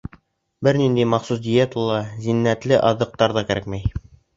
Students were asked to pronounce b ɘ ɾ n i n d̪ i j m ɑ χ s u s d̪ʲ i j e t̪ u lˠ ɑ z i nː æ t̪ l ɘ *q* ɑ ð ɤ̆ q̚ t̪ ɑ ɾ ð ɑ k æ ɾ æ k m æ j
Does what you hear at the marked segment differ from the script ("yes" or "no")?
yes